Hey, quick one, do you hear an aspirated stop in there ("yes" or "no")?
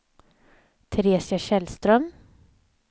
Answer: yes